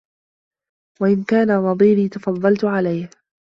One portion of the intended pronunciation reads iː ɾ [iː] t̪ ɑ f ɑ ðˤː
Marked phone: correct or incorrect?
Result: correct